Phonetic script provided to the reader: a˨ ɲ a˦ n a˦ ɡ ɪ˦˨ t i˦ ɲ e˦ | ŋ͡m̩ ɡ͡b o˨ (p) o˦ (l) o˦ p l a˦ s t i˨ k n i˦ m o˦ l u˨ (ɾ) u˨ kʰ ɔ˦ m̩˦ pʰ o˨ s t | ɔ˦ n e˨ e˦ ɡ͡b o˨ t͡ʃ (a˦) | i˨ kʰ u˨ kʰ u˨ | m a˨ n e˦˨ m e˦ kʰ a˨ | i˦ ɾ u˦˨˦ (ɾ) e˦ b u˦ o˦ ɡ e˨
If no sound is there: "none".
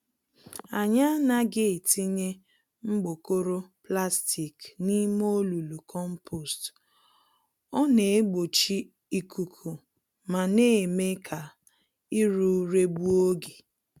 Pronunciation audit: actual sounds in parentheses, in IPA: k, ɾ, l, i˦, ɾ

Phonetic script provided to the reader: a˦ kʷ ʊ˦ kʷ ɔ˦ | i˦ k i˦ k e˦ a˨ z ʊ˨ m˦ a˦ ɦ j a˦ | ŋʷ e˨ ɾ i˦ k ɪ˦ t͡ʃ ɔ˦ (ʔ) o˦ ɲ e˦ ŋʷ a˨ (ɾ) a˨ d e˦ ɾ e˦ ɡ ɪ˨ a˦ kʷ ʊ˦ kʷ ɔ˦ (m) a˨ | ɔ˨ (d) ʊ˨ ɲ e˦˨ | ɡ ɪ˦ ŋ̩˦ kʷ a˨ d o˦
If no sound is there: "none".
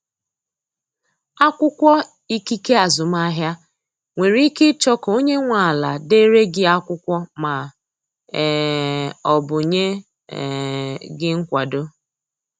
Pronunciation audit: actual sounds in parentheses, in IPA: k, l, m, b

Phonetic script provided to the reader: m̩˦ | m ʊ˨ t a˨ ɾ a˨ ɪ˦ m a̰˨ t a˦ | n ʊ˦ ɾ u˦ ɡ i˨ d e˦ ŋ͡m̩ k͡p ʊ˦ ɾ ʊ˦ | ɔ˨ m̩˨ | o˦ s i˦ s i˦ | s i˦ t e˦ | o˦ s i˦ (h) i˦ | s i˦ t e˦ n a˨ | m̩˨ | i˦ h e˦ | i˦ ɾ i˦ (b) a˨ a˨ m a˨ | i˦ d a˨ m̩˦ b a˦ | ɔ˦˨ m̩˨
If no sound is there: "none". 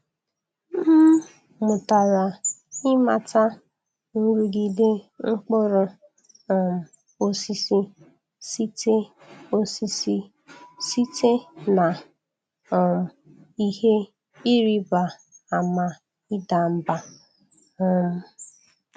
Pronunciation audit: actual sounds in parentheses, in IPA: s, b

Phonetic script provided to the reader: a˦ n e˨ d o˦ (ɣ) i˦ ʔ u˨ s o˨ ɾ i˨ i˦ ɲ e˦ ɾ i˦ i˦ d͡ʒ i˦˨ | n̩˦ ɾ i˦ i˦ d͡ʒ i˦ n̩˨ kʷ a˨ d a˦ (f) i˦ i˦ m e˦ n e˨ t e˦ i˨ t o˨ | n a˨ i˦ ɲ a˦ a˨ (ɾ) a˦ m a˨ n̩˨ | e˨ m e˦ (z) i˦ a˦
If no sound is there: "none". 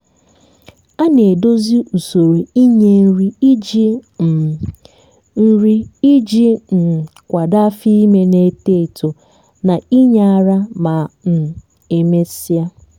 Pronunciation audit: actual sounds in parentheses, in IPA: z, f, ɾ, s

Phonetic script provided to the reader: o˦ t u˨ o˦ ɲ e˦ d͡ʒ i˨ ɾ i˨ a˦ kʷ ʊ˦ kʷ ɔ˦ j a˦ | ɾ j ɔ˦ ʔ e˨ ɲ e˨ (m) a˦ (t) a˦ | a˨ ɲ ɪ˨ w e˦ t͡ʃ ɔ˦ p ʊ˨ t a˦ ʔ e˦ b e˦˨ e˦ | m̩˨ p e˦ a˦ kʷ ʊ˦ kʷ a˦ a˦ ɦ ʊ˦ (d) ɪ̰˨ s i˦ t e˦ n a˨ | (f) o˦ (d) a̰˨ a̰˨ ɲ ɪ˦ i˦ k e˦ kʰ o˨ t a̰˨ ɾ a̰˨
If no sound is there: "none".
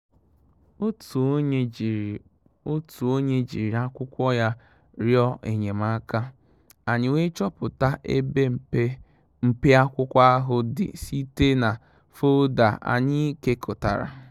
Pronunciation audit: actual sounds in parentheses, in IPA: m, k, d, f, d

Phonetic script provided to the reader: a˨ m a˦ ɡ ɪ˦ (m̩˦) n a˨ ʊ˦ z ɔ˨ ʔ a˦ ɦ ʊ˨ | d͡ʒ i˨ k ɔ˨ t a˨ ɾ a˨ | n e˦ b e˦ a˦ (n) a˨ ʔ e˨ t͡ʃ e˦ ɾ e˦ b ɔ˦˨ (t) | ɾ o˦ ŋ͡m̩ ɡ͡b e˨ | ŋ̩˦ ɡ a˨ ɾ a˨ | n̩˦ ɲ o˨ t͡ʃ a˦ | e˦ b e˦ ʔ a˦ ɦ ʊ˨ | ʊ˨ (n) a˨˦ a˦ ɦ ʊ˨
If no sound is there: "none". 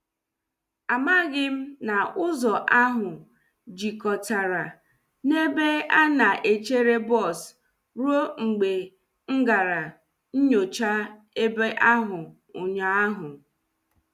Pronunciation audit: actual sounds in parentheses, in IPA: m̩˦, n, s, ɲ

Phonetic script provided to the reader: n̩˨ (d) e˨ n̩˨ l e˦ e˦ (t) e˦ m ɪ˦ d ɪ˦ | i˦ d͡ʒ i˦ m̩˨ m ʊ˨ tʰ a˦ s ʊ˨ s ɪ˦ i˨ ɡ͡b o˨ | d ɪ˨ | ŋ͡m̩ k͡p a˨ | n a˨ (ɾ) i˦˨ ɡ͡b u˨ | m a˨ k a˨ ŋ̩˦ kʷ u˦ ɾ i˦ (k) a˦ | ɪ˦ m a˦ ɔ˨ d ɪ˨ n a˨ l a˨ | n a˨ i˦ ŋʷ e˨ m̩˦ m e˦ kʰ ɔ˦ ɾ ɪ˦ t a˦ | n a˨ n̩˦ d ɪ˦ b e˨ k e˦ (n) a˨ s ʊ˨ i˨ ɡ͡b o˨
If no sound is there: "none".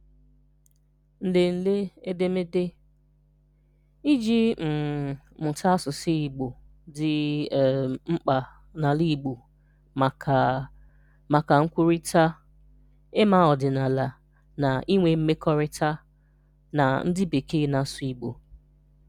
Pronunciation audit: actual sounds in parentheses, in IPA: d, d, l, t, n

